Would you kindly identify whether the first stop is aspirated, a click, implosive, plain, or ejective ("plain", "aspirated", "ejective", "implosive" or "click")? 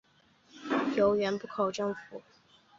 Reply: plain